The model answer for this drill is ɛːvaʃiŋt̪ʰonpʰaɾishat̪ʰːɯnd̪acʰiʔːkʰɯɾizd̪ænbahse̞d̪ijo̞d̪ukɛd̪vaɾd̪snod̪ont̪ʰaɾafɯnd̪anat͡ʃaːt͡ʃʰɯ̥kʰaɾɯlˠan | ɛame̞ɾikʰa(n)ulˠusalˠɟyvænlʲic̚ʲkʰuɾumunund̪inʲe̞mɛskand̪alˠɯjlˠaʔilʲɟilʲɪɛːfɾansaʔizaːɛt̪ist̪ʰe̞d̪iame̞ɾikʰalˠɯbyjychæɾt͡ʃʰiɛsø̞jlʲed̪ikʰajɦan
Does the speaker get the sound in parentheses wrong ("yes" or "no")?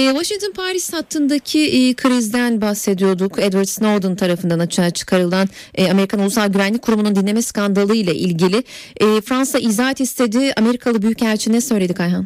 no